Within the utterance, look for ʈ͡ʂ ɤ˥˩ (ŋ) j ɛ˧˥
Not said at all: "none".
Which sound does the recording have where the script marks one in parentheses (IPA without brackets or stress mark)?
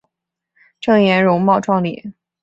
ŋ